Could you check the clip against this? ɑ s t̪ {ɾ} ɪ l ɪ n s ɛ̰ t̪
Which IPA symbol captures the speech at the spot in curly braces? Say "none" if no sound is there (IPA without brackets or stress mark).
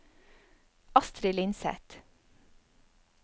ɾ